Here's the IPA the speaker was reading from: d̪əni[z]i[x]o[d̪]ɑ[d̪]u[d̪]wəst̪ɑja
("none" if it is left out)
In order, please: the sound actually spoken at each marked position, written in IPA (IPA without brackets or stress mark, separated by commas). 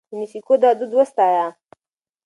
s, k, d̪, d̪, d̪